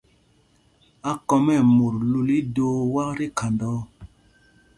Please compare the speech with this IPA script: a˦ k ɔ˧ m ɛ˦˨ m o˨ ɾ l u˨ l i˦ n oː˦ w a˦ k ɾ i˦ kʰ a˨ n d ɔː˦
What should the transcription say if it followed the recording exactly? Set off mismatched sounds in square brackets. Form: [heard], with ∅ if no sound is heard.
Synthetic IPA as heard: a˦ k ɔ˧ m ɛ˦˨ m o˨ ɾ l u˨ l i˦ [d] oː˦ w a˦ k ɾ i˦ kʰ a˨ n d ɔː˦

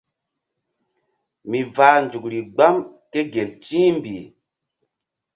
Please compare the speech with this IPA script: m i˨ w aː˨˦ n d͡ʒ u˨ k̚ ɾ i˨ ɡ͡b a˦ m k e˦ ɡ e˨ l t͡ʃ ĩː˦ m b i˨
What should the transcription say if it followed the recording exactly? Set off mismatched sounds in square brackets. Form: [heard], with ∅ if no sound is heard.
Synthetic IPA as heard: m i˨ [v] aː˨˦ n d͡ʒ u˨ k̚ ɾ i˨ ɡ͡b a˦ m k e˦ ɡ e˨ l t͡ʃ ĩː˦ m b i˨

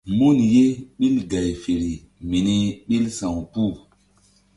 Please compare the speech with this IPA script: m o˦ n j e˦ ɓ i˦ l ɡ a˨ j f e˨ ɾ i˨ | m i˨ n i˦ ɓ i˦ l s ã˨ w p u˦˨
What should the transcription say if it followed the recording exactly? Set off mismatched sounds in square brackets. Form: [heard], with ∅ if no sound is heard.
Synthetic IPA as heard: m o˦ n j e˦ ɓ i˦ l ɡ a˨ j f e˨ ɾ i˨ | m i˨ n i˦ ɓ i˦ l s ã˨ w p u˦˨

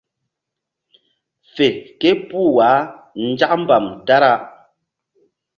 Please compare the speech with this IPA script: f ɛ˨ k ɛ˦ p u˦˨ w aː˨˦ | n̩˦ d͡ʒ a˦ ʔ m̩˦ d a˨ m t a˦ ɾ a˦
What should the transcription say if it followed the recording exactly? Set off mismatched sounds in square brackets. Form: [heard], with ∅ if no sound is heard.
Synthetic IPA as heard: f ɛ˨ k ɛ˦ p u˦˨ w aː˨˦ | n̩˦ d͡ʒ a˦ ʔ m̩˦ [b] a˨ m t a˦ ɾ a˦

